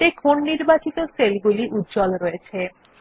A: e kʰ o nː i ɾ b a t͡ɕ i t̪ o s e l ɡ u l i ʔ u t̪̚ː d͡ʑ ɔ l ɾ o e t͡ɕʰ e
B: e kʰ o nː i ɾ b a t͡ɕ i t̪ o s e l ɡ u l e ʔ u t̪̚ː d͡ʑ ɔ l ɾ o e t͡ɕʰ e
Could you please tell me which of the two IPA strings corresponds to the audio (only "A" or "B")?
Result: A